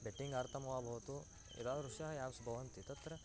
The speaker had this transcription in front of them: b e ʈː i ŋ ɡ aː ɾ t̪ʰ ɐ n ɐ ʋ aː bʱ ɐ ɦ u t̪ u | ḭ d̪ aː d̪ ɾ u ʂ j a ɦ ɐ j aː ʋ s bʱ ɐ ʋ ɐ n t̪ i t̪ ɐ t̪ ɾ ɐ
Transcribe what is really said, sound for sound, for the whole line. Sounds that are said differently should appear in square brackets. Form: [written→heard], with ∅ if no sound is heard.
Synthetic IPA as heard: b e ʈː i ŋ ɡ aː ɾ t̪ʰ ɐ [n→m] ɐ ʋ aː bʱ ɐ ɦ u t̪ u | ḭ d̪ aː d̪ ɾ u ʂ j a ɦ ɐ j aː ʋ s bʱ ɐ ʋ ɐ n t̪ i t̪ ɐ t̪ ɾ ɐ